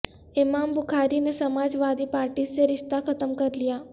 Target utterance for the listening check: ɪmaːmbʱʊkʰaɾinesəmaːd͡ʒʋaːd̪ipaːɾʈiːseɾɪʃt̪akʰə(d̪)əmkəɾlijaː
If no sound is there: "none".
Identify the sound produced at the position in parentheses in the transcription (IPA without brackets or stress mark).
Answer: t̪